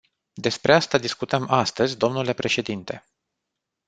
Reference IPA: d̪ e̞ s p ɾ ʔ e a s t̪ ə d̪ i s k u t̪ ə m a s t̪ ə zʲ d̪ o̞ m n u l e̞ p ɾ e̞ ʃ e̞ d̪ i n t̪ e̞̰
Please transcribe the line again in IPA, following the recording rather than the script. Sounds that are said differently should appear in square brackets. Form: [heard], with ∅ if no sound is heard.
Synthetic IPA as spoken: d̪ e̞ s p ɾ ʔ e a s t̪ [a] d̪ i s k u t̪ ə m a s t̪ ə zʲ d̪ o̞ m n u l e̞ p ɾ e̞ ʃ e̞ d̪ i n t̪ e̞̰

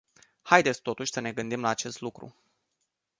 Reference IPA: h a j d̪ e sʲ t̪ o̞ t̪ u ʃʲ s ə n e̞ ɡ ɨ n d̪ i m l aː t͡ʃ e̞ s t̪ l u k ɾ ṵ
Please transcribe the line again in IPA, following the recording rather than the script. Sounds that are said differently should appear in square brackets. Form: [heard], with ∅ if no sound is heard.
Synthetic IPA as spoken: h a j d̪ e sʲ t̪ o̞ t̪ u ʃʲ s ə n e̞ ɡ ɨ n d̪ i m l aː t͡ʃ e̞ s t̪ l u k ɾ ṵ

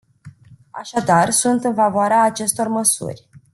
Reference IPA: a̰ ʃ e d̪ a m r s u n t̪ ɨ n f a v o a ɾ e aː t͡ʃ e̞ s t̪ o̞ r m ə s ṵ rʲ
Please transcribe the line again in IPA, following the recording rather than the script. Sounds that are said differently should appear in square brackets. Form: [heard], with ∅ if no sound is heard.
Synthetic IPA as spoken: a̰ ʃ [a] d̪ a [∅] r s u n t̪ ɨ n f a v o a ɾ e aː t͡ʃ e̞ s t̪ o̞ r m ə s ṵ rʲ

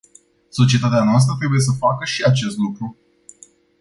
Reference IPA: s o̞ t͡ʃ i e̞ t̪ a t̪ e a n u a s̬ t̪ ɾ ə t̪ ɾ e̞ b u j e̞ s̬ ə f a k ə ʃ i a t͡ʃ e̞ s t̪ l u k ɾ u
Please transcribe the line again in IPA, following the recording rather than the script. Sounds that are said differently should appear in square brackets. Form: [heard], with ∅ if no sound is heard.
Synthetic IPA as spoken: s o̞ t͡ʃ i e̞ t̪ a t̪ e a n [o] a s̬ t̪ ɾ ə t̪ ɾ e̞ b u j e̞ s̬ ə f a k ə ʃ i a t͡ʃ e̞ s t̪ l u k ɾ u

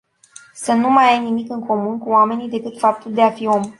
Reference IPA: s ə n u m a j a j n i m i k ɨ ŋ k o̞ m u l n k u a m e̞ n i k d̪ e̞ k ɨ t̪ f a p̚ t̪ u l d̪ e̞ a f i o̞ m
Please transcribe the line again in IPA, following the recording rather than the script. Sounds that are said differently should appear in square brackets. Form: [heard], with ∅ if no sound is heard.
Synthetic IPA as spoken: s ə n u m a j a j n i m i k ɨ ŋ k o̞ m u [∅] n k u a m e̞ n i [∅] d̪ e̞ k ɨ t̪ f a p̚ t̪ u l d̪ e̞ a f i o̞ m

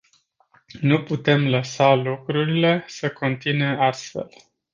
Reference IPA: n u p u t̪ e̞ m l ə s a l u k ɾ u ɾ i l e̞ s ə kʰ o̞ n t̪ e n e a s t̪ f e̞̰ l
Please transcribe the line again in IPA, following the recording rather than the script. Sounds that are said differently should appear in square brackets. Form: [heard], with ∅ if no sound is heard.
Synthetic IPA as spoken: n u p u t̪ e̞ m l ə s a l u k ɾ u ɾ i l e̞ s ə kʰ o̞ n t̪ [i] n e a s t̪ f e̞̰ l

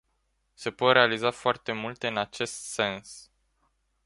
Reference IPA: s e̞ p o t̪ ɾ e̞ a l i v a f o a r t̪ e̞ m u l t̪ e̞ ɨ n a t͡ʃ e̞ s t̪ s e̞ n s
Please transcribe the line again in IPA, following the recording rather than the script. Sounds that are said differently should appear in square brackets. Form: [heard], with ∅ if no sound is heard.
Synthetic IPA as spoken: s e̞ p o t̪ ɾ e̞ a l i [z] a f o a r t̪ e̞ m u l t̪ e̞ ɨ n a t͡ʃ e̞ s t̪ s e̞ n s

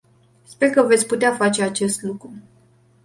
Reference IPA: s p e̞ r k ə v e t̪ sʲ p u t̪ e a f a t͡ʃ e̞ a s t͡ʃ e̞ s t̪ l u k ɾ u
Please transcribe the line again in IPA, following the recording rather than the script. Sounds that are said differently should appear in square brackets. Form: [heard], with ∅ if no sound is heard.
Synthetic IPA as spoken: s p e̞ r k ə v e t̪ sʲ p u t̪ e a f a t͡ʃ e̞ a [∅] t͡ʃ e̞ s t̪ l u k ɾ u

